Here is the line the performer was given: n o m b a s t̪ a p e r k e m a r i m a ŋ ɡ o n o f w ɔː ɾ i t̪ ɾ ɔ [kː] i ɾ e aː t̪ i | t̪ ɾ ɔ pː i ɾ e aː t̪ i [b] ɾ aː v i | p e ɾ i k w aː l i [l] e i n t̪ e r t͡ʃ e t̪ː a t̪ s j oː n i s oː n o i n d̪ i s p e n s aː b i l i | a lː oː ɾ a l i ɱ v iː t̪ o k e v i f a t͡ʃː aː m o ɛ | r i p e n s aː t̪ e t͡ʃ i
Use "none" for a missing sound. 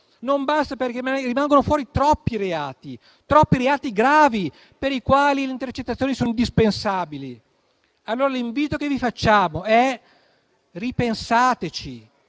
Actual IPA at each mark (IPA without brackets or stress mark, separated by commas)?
pː, ɡ, l